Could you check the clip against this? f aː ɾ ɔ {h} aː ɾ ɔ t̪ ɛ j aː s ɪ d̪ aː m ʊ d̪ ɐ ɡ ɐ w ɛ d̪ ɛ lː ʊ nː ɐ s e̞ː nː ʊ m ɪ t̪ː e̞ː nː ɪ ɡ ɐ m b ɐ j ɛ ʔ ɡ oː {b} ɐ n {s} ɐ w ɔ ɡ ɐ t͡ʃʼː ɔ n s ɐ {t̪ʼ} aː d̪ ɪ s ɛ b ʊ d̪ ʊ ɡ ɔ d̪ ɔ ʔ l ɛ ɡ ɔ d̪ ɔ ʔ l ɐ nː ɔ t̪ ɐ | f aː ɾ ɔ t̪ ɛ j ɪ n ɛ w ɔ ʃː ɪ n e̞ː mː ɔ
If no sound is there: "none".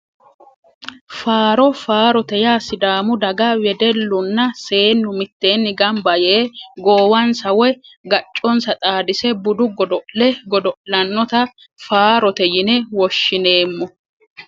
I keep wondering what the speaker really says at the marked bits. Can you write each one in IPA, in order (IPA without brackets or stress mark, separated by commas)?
f, w, s, t̪ʼ